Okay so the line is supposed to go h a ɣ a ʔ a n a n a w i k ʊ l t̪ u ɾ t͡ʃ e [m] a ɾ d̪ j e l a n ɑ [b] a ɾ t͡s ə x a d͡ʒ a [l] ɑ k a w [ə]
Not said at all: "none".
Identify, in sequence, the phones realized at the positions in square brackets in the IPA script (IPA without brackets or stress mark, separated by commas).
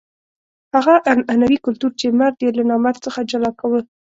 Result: m, m, l, ə